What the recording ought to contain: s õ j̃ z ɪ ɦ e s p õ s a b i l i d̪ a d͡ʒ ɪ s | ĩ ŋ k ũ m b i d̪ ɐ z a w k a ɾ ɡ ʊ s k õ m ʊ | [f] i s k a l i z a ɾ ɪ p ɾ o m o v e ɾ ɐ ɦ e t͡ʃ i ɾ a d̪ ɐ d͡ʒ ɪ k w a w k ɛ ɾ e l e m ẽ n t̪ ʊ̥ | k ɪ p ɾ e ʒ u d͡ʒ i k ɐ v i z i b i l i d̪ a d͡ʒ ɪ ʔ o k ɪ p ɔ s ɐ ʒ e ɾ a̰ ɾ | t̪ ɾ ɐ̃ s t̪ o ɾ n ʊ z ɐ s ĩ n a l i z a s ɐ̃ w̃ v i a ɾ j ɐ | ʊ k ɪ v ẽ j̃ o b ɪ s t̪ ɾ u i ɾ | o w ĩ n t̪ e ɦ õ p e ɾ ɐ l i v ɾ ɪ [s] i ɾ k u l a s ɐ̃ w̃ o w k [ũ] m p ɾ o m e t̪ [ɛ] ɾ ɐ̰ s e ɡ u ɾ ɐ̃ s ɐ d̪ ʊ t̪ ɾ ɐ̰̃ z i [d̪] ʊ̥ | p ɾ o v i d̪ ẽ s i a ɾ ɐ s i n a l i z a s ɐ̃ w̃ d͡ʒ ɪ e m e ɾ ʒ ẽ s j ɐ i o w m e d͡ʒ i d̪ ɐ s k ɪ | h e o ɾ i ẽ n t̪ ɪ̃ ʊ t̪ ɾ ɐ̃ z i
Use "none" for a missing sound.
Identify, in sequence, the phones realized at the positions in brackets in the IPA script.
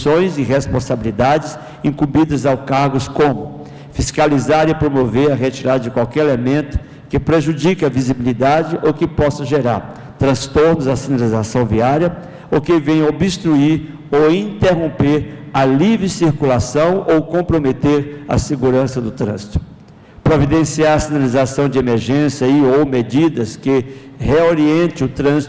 f, s, õ, e, t̪

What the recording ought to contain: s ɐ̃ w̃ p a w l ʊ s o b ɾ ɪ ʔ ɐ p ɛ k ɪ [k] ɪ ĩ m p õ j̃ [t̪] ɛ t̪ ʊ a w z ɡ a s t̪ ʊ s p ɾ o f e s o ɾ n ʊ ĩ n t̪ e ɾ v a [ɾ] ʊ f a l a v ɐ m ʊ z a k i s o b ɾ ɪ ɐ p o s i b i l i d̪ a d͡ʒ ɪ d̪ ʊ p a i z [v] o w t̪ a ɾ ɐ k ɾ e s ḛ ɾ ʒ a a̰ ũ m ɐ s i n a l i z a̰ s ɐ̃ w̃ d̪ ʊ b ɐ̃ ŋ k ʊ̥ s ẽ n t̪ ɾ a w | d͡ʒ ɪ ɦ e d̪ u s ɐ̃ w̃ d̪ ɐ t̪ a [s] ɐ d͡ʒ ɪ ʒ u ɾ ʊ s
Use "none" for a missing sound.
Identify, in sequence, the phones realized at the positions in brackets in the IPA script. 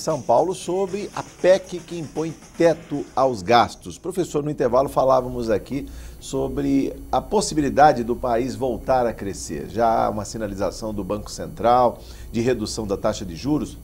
k, t̪, l, v, ʃ

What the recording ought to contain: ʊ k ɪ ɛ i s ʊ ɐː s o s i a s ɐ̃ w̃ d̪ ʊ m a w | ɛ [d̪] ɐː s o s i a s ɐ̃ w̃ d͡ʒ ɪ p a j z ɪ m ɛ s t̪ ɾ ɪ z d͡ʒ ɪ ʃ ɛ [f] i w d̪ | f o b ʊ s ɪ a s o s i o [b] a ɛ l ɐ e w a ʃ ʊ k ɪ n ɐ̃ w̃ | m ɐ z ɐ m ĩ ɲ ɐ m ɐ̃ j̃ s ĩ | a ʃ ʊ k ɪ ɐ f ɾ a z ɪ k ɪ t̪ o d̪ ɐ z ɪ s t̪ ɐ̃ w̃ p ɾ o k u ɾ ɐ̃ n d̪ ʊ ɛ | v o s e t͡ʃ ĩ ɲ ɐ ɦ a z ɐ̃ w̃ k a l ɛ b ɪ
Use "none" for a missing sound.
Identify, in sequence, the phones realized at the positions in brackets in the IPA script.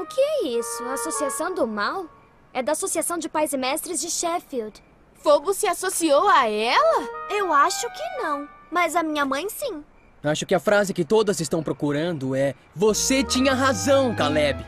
d̪, f, w

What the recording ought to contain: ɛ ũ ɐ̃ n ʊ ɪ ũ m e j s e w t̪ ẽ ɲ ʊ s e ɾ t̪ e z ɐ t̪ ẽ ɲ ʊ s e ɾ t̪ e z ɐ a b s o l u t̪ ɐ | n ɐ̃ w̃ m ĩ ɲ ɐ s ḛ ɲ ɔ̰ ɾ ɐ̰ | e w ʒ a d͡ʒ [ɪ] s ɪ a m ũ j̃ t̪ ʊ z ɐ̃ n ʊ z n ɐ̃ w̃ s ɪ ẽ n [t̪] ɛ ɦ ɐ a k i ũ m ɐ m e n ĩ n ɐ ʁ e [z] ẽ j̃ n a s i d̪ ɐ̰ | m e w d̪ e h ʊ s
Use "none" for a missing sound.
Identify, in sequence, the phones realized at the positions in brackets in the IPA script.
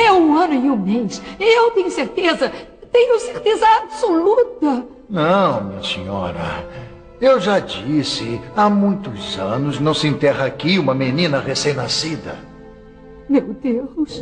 i, t̪, s

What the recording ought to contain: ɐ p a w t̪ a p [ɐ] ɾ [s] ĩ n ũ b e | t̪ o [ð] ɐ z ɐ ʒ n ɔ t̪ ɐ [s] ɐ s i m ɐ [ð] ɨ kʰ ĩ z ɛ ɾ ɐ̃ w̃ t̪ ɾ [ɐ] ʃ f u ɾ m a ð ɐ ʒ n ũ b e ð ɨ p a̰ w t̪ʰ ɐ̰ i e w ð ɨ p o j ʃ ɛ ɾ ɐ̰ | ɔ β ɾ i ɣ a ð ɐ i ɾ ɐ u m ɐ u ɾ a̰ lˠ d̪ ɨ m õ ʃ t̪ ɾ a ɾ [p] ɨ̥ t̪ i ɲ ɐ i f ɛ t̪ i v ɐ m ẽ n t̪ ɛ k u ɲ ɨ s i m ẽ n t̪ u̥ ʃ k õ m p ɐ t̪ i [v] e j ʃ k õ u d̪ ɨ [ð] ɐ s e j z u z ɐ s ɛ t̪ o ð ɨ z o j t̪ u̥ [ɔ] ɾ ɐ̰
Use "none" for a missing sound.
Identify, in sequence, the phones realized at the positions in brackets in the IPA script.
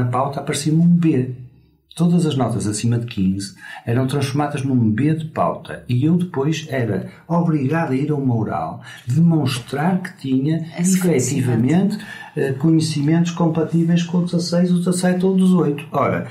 ɐ, s, ð, z, ð, ɐ̃, k, v, z, ɔ

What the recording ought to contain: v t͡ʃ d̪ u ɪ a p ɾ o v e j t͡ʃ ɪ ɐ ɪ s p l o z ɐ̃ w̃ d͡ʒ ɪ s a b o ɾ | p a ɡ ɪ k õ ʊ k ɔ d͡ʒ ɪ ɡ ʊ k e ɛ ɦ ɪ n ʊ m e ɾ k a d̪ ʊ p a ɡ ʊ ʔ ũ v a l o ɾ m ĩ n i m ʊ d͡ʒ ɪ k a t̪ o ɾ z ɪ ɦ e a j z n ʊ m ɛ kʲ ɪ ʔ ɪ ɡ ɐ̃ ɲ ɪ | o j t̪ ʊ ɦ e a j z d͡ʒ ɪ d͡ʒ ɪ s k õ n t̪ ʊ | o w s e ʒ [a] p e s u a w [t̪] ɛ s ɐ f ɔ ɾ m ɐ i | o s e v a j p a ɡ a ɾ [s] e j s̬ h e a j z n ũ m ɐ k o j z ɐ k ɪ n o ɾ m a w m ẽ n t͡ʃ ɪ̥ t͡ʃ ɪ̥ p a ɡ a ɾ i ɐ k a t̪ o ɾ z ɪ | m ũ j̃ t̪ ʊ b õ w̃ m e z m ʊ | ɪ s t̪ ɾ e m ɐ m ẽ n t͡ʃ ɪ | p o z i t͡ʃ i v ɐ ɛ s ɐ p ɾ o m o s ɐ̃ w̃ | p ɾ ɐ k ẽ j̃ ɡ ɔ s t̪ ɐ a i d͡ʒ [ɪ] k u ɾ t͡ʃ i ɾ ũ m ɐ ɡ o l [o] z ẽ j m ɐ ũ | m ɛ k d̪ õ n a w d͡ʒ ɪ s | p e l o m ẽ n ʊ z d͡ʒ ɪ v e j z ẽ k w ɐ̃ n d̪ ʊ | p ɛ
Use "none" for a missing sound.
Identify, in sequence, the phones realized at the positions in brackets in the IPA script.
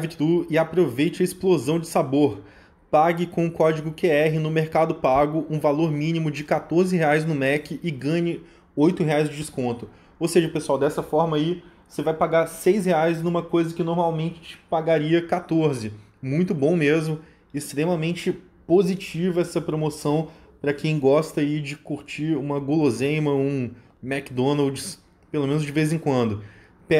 ɐ, d̪, s, ɪ, o

